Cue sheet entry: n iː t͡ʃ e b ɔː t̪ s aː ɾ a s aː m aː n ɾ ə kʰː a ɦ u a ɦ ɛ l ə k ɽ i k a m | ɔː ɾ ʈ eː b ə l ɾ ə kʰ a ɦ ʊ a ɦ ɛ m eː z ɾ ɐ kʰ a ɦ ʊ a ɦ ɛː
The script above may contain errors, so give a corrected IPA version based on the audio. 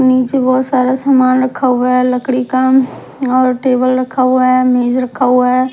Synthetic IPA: n iː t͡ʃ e b ɔː t̪ s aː ɾ a s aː m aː n ɾ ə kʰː a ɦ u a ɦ ɛ l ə k ɽ i k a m | ɔː ɾ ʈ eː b ə l ɾ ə kʰ a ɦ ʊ a ɦ ɛ m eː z ɾ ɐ kʰ a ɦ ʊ a ɦ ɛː